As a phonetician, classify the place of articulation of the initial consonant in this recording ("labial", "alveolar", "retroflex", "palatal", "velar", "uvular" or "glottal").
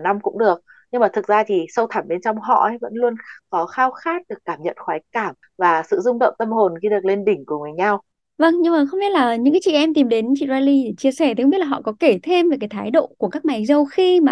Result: alveolar